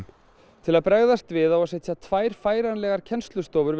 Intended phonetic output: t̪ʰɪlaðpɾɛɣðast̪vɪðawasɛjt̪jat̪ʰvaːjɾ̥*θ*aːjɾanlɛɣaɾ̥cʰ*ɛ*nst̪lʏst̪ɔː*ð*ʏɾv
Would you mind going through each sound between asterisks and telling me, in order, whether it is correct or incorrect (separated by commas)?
incorrect, correct, incorrect